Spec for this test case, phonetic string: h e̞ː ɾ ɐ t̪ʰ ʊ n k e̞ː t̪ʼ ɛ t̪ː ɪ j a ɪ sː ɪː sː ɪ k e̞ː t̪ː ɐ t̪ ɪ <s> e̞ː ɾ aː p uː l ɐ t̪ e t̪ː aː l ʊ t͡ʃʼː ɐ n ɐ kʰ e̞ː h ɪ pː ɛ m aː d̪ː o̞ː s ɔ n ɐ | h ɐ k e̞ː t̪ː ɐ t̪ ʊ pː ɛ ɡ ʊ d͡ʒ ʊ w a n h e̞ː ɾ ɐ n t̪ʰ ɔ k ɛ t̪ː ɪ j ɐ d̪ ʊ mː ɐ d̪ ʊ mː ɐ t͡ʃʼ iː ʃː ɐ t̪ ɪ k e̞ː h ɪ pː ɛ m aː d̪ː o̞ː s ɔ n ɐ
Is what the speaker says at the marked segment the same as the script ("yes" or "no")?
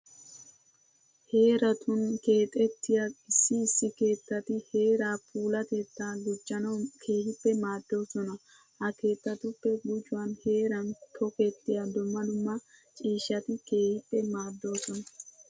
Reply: no